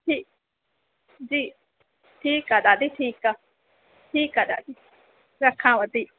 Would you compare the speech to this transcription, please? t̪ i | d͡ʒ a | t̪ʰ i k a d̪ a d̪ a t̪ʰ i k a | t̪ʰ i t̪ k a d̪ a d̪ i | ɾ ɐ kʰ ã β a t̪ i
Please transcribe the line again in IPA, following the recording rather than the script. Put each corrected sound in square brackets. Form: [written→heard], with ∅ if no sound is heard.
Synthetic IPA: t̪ i | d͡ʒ [a→i] | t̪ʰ i k a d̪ a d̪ [a→i] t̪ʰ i k a | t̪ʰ i [t̪→∅] k a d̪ a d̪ i | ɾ [ɐ→a] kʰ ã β a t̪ i